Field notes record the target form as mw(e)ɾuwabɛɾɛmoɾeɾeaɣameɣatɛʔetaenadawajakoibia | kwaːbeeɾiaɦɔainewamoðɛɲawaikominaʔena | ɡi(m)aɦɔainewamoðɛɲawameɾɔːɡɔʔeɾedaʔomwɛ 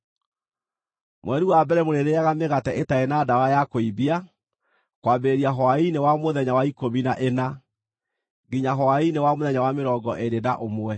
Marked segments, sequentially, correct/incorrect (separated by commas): incorrect, incorrect